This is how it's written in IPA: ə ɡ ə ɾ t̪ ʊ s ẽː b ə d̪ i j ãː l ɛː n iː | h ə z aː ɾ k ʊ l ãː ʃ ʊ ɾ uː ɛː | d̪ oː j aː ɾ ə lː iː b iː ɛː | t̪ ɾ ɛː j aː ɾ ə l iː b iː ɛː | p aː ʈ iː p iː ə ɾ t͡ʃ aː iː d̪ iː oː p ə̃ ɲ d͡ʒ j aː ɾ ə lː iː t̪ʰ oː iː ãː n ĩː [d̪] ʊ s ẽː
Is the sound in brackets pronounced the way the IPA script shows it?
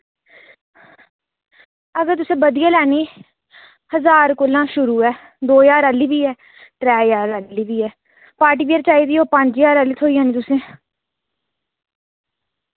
no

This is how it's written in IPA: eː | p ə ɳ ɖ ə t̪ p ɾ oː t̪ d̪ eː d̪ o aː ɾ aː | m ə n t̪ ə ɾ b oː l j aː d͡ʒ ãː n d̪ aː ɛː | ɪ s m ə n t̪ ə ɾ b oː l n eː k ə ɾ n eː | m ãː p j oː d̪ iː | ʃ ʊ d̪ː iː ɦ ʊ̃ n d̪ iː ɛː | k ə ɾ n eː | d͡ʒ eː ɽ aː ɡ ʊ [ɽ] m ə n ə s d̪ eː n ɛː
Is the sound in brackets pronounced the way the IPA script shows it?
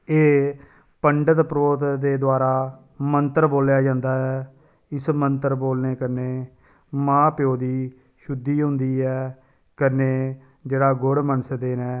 yes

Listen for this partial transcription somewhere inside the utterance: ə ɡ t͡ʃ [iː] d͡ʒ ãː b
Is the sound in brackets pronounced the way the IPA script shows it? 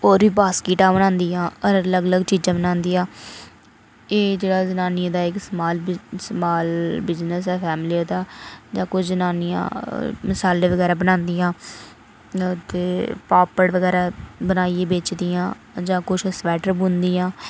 yes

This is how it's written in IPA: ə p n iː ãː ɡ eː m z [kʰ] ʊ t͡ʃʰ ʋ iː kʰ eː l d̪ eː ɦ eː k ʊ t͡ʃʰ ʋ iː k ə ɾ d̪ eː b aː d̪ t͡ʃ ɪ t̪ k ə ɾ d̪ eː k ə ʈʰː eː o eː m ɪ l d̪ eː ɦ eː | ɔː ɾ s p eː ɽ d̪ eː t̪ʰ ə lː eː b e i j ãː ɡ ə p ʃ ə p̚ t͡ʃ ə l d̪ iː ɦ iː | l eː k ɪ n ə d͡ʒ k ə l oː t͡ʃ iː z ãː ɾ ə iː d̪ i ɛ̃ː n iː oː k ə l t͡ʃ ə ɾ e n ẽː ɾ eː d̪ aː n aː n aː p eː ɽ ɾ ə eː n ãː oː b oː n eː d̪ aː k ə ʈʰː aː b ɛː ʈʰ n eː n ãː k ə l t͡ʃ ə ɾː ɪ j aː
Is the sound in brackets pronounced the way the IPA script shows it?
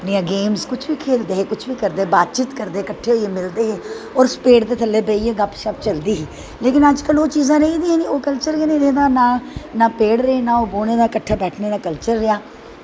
no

